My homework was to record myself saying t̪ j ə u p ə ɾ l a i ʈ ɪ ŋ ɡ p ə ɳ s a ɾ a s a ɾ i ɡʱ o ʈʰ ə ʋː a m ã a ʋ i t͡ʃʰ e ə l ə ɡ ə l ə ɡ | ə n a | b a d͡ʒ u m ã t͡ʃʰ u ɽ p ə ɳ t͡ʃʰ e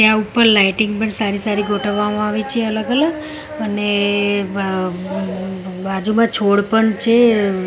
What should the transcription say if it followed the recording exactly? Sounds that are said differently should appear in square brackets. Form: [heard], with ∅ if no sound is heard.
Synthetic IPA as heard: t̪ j [a] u p ə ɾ l a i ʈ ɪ ŋ ɡ p ə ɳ s a ɾ [i] s a ɾ i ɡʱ o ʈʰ ə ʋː a m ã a ʋ i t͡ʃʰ e ə l ə ɡ ə l ə ɡ | ə n [e] | b a d͡ʒ u m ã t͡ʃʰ [o] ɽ p ə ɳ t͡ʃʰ e